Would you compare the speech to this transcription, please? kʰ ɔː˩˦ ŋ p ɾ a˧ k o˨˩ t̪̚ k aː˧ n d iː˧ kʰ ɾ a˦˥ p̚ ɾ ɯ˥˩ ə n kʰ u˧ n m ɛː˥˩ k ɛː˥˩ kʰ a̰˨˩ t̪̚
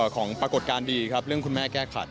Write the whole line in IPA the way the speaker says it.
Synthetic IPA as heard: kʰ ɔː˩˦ ŋ p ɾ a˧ k o˨˩ t̪̚ k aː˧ n d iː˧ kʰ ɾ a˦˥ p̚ ɾ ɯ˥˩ ə ŋ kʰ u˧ n m ɛː˥˩ k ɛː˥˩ kʰ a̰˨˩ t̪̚